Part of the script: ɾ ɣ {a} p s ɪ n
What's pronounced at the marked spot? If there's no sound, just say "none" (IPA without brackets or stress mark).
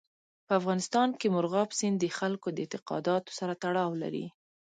ɑ